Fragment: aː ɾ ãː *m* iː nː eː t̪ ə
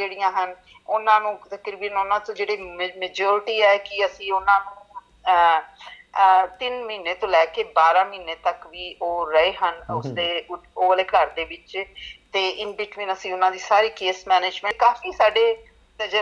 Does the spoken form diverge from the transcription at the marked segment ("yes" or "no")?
no